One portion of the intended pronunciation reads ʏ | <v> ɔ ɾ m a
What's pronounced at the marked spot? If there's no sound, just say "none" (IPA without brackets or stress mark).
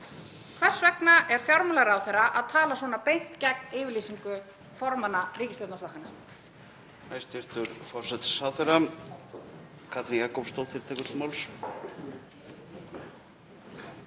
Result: f